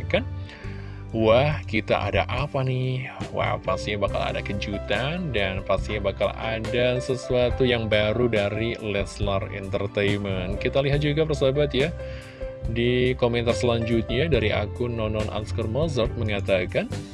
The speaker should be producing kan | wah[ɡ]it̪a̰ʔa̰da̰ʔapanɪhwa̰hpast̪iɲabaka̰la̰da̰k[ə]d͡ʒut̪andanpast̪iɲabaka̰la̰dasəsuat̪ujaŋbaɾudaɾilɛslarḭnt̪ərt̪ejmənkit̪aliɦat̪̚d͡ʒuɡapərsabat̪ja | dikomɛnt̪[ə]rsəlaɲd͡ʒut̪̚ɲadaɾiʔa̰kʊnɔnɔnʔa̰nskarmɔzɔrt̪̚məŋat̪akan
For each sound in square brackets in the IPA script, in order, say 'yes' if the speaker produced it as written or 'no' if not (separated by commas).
no, yes, no